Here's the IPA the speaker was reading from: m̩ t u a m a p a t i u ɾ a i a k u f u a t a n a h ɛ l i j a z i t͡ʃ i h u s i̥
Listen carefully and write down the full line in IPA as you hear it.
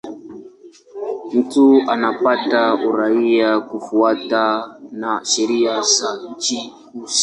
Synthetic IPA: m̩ t u a n a p a t a u ɾ a i a k u f u a t a n a ʃ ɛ ɾ i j a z a t͡ʃ i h u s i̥